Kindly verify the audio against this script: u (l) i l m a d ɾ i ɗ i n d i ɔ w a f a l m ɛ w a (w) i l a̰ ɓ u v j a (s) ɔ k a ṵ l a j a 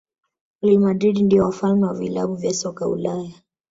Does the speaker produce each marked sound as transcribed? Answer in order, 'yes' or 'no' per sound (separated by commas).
yes, no, yes